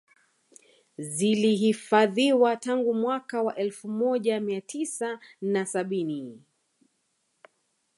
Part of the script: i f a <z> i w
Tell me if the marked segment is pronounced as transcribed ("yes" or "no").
no